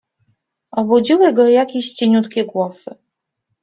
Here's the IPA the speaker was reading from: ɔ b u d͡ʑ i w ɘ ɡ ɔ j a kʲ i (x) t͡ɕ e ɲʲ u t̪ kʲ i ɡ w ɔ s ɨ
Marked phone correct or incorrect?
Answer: incorrect